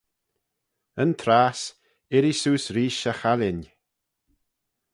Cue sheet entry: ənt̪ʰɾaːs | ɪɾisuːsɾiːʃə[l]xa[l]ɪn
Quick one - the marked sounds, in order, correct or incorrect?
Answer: incorrect: none, correct

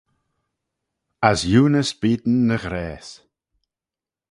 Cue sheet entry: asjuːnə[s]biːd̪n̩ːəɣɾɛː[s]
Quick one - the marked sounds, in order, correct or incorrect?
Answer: correct, correct

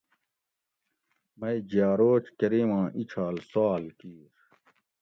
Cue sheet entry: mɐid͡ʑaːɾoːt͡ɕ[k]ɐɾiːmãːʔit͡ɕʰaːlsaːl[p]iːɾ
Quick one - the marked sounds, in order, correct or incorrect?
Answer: correct, incorrect: k

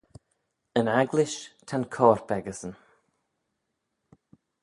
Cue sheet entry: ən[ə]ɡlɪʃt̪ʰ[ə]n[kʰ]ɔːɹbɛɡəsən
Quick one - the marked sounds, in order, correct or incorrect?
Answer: incorrect: a, incorrect: a, correct

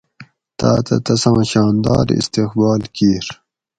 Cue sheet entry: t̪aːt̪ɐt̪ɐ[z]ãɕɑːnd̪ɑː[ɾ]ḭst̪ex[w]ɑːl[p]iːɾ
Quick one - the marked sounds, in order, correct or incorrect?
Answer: incorrect: s, correct, incorrect: b, incorrect: k

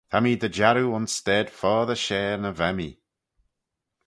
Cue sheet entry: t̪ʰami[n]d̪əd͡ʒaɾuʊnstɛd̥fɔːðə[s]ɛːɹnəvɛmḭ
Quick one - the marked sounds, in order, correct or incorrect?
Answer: incorrect: none, incorrect: ʃ

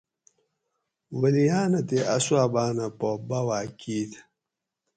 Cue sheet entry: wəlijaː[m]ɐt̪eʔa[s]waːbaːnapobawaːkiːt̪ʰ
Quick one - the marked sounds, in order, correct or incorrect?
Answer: incorrect: n, correct

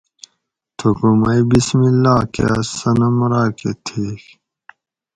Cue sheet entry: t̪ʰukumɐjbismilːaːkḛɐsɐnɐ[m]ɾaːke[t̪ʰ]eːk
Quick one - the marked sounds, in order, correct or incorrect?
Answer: correct, correct

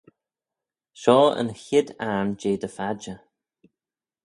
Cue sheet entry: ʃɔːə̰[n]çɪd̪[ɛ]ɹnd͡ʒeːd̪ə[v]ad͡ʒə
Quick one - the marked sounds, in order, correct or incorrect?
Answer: correct, incorrect: a, incorrect: f

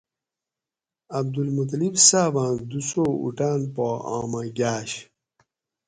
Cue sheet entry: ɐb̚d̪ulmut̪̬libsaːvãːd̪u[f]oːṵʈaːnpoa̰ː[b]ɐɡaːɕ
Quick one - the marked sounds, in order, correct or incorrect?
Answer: incorrect: s, incorrect: m

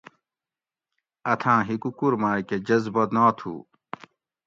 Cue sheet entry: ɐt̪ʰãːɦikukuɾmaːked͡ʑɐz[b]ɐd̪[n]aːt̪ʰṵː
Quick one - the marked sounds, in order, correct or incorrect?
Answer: correct, correct

